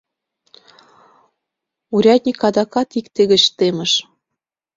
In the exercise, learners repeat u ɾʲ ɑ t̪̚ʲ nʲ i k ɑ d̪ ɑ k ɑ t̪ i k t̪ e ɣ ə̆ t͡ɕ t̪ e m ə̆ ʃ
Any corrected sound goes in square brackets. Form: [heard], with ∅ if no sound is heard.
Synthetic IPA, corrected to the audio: u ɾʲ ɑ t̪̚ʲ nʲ i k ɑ d̪ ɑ k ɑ t̪ i k t̪ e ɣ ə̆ t͡ɕ t̪ e m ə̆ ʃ